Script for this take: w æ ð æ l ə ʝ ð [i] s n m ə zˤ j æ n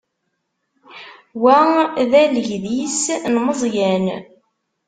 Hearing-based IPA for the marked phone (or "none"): i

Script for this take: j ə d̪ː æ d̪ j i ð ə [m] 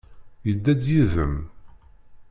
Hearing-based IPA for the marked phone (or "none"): m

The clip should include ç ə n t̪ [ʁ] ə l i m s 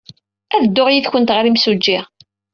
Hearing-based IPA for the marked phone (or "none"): ʁ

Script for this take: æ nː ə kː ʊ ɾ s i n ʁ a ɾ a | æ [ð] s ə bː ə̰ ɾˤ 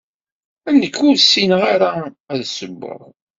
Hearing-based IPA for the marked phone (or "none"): ð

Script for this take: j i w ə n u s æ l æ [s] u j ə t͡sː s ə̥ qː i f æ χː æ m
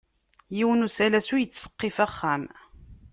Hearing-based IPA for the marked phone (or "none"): s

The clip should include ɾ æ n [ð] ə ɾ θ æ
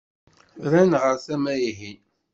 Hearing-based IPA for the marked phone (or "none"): ʁ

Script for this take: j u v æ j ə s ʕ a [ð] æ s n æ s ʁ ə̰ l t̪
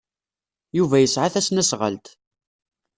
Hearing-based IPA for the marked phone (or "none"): θ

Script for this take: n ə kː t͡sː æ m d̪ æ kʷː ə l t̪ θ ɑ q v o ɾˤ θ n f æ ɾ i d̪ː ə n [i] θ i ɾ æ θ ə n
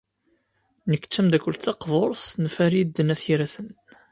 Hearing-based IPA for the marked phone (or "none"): æ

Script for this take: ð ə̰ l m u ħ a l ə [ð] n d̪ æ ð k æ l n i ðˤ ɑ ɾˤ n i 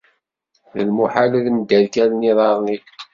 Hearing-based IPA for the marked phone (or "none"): ð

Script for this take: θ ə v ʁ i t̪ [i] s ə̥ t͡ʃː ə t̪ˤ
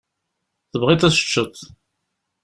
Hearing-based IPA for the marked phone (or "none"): æ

